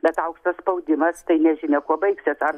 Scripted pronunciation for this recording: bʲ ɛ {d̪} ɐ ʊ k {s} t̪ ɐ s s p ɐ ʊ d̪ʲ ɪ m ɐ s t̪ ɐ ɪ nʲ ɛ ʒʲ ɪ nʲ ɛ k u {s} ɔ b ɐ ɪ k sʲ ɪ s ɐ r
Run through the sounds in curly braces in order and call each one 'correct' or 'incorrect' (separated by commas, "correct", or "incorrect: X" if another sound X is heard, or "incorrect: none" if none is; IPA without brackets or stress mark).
incorrect: t̪, incorrect: ʃ, incorrect: none